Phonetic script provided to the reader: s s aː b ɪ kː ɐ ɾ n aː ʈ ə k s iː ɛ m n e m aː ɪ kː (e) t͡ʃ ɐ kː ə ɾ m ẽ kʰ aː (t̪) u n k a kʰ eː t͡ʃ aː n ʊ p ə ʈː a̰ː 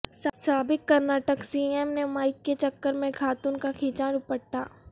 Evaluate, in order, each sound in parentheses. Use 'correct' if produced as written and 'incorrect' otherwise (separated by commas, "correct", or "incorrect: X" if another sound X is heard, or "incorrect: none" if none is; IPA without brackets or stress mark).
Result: correct, correct